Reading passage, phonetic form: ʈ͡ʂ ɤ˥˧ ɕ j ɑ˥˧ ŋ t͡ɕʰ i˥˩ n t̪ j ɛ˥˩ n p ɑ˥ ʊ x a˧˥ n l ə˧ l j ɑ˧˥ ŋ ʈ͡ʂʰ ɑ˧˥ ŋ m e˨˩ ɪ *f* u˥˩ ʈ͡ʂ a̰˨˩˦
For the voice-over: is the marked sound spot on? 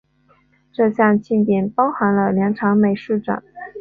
no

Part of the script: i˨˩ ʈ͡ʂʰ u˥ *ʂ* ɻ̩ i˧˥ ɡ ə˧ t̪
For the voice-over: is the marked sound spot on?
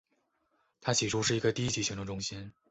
yes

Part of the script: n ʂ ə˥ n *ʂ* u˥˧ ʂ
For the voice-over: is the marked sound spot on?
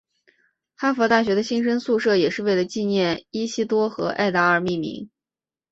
no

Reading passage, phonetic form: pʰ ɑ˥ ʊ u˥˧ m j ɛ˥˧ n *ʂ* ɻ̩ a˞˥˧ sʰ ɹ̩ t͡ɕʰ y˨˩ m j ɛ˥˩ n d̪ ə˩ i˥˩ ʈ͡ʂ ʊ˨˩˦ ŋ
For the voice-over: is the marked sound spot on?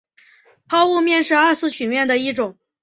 yes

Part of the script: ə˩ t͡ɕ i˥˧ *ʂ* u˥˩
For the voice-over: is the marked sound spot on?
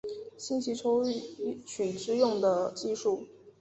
yes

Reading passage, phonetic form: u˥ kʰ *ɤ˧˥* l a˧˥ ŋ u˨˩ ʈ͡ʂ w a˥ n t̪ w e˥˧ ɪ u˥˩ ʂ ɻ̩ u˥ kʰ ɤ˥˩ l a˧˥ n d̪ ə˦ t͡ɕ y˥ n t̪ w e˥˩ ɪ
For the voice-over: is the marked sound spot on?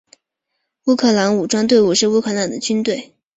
no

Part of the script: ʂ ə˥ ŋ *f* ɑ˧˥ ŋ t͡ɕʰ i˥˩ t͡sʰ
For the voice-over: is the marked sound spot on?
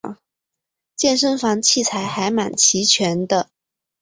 yes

